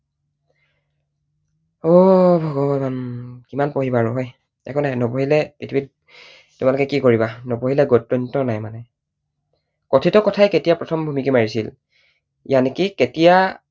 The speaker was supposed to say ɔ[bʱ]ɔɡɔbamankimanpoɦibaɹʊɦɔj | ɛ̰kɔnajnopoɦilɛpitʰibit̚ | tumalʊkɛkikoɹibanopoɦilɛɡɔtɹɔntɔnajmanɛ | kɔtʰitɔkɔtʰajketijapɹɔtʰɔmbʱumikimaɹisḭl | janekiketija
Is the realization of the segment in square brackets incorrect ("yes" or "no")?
no